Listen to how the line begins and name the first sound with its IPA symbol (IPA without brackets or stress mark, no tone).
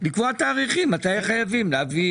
l